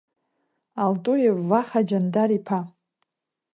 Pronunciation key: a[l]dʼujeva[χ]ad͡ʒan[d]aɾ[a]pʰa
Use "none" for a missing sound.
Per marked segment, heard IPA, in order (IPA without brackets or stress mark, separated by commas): l, χ, d, i